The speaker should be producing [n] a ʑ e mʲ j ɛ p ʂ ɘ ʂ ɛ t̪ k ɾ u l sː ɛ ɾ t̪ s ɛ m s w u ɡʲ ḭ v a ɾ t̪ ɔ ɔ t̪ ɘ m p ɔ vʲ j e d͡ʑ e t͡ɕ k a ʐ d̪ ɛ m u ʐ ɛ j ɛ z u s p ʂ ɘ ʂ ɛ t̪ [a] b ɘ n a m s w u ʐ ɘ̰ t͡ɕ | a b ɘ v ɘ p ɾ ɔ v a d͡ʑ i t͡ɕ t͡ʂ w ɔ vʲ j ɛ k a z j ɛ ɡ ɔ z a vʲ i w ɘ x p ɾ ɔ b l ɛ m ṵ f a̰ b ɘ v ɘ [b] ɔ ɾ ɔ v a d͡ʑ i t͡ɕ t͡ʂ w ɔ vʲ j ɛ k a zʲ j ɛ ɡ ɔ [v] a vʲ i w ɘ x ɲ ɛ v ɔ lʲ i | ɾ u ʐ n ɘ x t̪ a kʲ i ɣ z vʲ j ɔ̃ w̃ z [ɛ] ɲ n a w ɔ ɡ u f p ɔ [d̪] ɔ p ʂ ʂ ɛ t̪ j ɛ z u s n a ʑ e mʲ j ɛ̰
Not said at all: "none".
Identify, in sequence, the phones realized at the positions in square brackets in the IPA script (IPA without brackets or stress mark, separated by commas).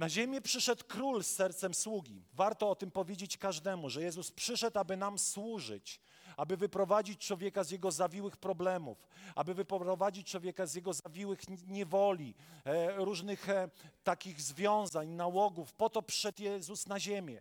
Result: n, a, p, z, a, t̪